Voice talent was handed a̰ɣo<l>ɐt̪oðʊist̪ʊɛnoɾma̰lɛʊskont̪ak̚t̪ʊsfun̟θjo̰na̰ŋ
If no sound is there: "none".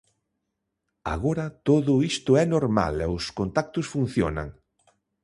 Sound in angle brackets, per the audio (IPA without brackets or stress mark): ɾ